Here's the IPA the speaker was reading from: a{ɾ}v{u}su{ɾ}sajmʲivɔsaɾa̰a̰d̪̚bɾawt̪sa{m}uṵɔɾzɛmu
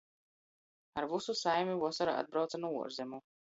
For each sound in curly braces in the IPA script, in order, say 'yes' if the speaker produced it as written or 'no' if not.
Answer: yes, yes, no, no

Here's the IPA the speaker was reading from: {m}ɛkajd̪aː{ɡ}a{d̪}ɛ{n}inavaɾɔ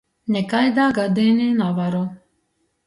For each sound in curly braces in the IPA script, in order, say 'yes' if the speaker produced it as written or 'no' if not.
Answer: no, yes, yes, yes

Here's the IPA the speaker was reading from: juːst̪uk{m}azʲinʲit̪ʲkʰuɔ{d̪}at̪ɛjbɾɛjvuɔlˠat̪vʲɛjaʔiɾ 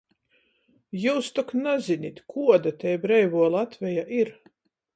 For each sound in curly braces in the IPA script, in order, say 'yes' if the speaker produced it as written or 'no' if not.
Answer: no, yes

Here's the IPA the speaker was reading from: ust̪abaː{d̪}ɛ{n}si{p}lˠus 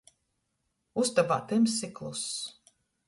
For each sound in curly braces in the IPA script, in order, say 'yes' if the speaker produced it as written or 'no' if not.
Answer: no, no, no

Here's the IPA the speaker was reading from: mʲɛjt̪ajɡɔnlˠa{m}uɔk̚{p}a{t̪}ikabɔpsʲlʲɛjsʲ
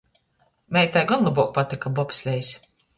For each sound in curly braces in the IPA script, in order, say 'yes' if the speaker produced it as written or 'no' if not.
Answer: no, yes, yes

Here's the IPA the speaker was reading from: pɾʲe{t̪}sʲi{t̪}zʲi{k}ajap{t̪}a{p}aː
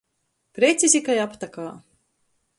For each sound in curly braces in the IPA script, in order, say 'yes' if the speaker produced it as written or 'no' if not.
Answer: yes, no, yes, yes, no

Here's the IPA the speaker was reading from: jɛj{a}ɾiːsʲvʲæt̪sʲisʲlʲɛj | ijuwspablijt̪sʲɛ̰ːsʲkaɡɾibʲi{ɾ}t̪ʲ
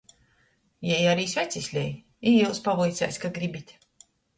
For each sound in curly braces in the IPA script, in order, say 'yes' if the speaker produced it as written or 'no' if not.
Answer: yes, no

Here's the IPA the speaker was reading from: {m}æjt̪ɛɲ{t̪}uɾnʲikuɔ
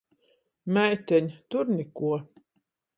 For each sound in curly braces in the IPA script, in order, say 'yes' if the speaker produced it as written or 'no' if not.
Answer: yes, yes

